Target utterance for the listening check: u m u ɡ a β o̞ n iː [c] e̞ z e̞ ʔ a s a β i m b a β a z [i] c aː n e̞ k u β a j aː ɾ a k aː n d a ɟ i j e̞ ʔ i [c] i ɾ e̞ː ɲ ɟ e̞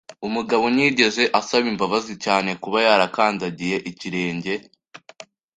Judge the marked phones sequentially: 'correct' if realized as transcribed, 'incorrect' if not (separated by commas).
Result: incorrect, correct, correct